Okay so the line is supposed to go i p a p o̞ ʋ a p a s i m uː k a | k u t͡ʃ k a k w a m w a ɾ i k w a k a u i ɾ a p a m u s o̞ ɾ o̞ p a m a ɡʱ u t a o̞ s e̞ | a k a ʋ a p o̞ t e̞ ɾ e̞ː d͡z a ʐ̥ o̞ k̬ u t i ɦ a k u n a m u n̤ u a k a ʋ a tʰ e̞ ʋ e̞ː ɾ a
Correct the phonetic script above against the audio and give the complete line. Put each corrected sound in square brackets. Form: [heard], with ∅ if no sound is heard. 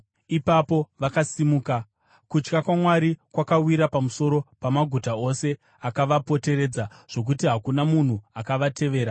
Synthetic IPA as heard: i p a p o̞ ʋ a [k] a s i m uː k a | k u t͡ʃ k a k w a m w a ɾ i k w a k a [w] i ɾ a p a m u s o̞ ɾ o̞ p a m a ɡʱ u t a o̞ s e̞ | a k a ʋ a p o̞ t e̞ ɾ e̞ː d͡z a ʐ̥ o̞ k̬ u t i ɦ a k u n a m u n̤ u a k a ʋ a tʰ e̞ ʋ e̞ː ɾ a